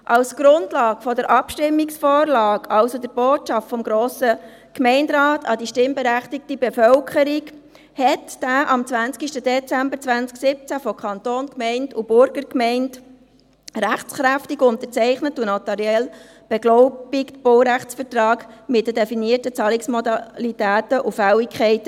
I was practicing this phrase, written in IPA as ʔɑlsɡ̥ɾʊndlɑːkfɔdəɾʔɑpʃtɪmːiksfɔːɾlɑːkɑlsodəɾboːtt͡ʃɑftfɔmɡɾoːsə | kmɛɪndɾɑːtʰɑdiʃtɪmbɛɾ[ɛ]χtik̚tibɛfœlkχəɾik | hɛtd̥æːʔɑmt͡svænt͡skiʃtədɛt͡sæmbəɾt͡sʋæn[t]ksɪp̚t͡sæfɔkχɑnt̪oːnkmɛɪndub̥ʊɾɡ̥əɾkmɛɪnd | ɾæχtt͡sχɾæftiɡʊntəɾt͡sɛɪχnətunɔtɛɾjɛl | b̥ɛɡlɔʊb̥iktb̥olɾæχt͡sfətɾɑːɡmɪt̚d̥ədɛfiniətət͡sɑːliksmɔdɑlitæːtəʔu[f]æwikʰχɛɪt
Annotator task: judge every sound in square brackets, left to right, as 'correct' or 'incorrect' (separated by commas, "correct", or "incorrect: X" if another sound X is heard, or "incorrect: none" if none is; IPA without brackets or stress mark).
incorrect: æ, incorrect: t͡s, correct